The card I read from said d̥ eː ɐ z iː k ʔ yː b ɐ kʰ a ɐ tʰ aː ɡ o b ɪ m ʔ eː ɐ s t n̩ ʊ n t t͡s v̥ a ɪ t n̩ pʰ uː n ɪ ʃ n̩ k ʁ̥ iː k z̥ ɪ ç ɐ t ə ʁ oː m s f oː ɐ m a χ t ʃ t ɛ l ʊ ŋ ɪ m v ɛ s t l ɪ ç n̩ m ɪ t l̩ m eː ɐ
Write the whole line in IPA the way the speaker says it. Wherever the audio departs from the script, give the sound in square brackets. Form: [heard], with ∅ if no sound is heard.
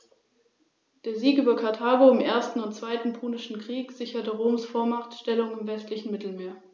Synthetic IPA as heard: d̥ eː ɐ z iː k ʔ yː b ɐ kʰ a ɐ tʰ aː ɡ o [∅] ɪ m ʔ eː ɐ s t n̩ ʊ n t t͡s v̥ a ɪ t n̩ pʰ uː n ɪ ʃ n̩ k ʁ̥ iː k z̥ ɪ ç ɐ t ə ʁ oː m s f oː ɐ m a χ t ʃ t ɛ l ʊ ŋ ɪ m v ɛ s t l ɪ ç n̩ m ɪ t l̩ m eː ɐ